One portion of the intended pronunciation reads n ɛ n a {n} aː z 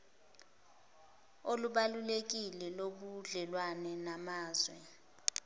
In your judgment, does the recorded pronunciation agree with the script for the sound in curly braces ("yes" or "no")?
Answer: no